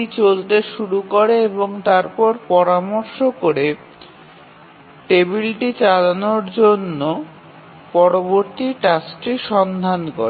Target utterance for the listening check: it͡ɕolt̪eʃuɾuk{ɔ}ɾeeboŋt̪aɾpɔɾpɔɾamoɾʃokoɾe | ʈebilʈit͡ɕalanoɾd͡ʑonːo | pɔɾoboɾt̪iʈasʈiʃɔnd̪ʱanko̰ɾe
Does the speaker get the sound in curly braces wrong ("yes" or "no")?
yes